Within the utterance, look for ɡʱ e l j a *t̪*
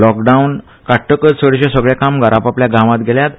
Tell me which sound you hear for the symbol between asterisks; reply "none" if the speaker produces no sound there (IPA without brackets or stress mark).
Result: t̪